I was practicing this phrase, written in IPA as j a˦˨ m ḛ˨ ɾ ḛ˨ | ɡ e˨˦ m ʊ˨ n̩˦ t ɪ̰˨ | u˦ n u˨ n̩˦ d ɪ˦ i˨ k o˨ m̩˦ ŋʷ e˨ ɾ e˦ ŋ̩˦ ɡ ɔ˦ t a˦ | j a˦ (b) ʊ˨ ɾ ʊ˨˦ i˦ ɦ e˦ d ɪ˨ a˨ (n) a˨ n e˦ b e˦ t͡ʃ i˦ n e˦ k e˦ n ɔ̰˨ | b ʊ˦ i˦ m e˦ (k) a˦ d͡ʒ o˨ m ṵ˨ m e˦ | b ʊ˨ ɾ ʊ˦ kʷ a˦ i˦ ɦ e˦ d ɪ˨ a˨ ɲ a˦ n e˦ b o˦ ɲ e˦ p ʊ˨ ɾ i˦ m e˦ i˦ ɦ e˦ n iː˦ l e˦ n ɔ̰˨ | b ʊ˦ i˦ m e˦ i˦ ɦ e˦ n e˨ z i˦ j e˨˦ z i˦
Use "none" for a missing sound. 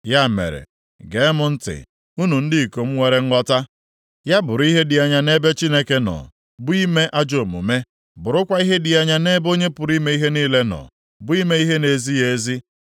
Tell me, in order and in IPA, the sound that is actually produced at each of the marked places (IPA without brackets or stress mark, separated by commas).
b, ɲ, ʔ